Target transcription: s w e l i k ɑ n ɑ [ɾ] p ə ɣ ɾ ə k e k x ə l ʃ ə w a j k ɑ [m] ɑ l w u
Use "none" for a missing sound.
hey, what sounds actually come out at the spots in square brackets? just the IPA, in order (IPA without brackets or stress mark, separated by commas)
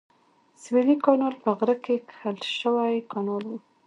l, n